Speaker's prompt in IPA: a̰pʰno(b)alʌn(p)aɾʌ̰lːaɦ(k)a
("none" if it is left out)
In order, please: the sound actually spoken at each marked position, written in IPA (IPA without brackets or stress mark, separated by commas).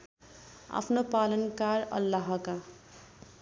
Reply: p, k, k